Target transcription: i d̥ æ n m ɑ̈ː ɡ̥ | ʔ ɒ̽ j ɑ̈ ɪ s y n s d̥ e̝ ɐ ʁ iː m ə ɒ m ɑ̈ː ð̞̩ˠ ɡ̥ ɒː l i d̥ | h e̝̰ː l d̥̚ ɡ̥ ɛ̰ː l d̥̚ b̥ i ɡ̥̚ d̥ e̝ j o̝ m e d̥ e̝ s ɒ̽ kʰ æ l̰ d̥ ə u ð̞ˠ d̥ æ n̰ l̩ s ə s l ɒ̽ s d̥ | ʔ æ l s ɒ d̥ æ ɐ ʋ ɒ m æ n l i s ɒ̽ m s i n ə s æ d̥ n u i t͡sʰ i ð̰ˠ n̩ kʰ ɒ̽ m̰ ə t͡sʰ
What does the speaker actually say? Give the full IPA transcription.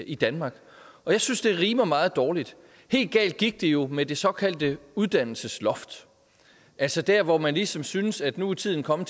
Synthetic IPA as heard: i d̥ æ n m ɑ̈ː ɡ̥ | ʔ ɒ̽ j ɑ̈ ɪ s y n s d̥ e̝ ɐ ʁ iː m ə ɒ m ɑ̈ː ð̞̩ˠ d̥ ɒː l i d̥ | h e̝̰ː l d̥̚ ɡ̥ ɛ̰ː l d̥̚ ɡ̥ i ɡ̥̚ d̥ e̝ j o̝ m e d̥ e̝ s ɒ̽ kʰ æ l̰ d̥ ə u ð̞ˠ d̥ æ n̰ l̩ s ə s l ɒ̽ f d̥ | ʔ æ l s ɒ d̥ æ ɐ ʋ ɒ m æ n l i s ɒ̽ m s y n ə s æ d̥ n u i t͡sʰ i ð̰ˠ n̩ kʰ ɒ̽ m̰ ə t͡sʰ